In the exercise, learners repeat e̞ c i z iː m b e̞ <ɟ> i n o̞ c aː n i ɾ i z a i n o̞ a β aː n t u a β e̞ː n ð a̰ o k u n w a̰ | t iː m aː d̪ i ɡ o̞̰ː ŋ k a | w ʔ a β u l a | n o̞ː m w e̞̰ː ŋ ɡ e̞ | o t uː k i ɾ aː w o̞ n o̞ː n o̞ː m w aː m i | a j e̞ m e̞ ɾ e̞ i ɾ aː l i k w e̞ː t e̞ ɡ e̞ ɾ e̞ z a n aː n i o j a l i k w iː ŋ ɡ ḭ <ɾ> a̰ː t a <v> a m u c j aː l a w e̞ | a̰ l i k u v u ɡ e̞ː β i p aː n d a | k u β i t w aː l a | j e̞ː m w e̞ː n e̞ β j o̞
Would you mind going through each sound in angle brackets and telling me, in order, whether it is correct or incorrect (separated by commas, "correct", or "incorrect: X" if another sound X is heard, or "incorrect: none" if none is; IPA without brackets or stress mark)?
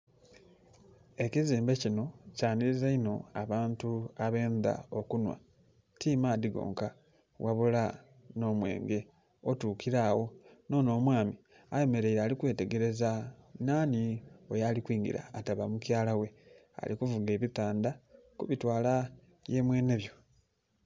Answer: incorrect: c, correct, incorrect: β